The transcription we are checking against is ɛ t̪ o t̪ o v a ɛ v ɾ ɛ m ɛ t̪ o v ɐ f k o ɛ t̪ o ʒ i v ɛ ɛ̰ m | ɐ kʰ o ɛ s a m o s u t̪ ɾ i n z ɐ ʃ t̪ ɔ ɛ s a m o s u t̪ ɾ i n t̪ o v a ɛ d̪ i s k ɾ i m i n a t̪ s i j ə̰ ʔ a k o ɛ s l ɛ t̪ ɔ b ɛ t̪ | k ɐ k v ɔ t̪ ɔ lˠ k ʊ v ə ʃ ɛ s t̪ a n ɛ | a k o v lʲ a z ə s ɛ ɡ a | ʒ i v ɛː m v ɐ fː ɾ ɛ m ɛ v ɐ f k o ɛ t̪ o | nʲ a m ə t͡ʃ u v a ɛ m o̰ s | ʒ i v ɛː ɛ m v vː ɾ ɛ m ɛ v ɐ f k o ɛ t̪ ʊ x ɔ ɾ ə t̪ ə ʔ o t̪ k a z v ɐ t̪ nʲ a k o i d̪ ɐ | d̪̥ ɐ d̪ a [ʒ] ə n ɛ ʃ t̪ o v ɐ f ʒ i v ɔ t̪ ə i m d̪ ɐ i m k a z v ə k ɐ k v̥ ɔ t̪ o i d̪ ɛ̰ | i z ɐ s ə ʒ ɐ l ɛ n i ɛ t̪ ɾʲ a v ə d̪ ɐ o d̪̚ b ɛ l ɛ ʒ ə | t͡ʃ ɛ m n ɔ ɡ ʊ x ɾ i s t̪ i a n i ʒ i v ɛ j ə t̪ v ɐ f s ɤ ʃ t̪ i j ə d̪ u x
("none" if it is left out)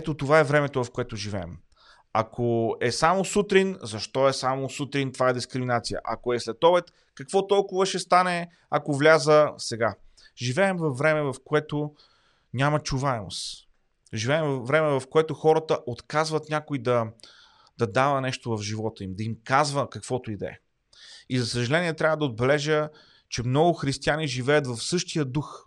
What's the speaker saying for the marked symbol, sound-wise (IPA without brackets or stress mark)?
v